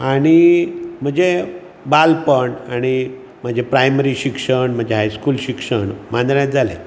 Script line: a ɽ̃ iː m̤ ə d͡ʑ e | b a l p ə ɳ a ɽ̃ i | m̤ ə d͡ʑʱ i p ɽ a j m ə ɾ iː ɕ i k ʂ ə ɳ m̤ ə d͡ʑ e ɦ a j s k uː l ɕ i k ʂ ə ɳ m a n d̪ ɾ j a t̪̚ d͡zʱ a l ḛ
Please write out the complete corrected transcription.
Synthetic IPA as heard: a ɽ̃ i m̤ ə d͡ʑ e | b a l p ə ɳ a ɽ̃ i | m̤ ə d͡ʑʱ e p ɾ a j m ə ɾ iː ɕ i k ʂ ə ɳ m̤ ə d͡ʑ e ɦ a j s k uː l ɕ i k ʂ ə ɳ m a n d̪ ɾ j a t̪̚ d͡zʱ a l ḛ